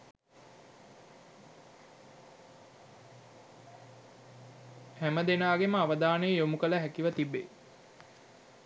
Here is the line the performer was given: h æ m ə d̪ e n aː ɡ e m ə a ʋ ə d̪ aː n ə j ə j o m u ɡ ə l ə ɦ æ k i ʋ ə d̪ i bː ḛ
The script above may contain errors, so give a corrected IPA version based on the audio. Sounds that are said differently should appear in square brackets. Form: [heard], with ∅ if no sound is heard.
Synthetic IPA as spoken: h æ m ə d̪ e n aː ɡ e m ə a ʋ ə d̪ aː n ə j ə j o m u [k] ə l ə ɦ æ k i ʋ ə [t̪] i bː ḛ

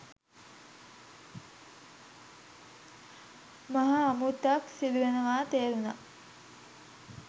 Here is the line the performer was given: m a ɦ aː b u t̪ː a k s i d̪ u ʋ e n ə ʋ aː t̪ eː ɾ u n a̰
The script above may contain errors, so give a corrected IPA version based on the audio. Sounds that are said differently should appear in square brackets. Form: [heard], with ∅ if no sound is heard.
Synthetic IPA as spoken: m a ɦ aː [m] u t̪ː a k s i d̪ u ʋ e n ə ʋ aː t̪ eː ɾ u n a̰

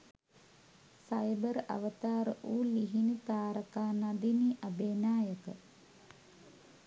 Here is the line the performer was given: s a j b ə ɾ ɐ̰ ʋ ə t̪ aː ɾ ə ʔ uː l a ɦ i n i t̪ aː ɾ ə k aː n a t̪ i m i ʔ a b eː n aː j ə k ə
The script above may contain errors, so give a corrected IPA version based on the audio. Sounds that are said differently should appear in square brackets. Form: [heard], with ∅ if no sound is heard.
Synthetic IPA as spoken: s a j b ə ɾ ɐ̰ ʋ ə t̪ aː ɾ ə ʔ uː l [i] ɦ i n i t̪ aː ɾ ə k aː n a [d̪] i [n] i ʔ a b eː n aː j ə k ə

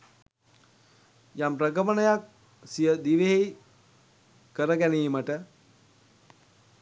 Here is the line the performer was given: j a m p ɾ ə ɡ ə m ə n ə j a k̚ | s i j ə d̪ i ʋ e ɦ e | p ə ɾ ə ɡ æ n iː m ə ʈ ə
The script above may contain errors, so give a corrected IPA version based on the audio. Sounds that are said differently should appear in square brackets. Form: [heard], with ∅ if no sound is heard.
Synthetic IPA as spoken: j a m p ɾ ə ɡ ə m ə n ə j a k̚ | s i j ə d̪ i ʋ e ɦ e | [k] ə ɾ ə ɡ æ n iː m ə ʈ ə

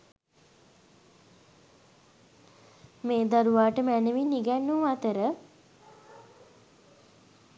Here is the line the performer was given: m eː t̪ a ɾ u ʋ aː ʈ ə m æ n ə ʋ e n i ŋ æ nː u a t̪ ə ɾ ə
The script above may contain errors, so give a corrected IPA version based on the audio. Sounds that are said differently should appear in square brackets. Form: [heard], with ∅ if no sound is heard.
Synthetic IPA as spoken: m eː [d̪] a ɾ u ʋ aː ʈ ə m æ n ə ʋ [i] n i [ɡ] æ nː u a t̪ ə ɾ ə

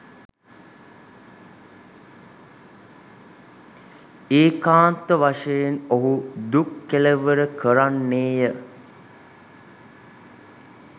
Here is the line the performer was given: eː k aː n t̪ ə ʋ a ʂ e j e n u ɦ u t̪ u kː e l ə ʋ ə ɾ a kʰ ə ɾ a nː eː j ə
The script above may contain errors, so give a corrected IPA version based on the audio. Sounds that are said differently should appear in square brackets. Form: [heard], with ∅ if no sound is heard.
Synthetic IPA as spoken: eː k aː n t̪ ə ʋ a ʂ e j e n [o] ɦ u [d̪] u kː e l ə ʋ ə ɾ [ə] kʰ ə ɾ a nː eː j ə

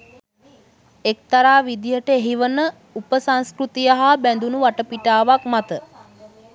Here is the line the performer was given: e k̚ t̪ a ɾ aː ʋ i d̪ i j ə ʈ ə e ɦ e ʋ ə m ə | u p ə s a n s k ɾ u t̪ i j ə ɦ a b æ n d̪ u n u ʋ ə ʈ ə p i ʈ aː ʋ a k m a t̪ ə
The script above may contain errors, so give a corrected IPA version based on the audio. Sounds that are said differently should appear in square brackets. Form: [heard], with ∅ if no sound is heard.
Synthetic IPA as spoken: e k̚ t̪ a ɾ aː ʋ i d̪ i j ə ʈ ə e ɦ [i] ʋ ə [n] ə | u p ə s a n s k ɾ u t̪ i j ə ɦ a b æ n d̪ u n u ʋ [a] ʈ ə p i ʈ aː ʋ a k m a t̪ ə

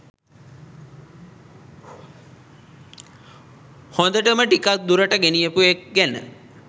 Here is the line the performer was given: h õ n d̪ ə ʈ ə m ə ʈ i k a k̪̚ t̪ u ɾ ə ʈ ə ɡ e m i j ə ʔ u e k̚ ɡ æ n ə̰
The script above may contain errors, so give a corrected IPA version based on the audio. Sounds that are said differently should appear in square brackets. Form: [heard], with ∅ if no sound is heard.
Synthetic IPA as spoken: h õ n d̪ ə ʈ ə m ə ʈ i k a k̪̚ [d̪] u ɾ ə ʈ ə ɡ e [n] i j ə [p] u e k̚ ɡ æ n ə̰

